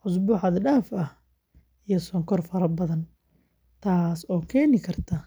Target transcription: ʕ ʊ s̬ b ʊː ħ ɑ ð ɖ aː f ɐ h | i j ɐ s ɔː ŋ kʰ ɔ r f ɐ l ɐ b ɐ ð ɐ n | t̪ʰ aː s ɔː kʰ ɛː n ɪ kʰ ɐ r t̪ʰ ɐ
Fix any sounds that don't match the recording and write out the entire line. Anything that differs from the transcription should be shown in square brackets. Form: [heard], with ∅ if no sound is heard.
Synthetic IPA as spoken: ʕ ʊ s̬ b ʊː ħ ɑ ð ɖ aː f ɐ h | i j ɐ s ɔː ŋ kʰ ɔ r f ɐ [ɾ] ɐ b ɐ ð ɐ n | t̪ʰ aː s ɔː kʰ ɛː n ɪ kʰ ɐ r t̪ʰ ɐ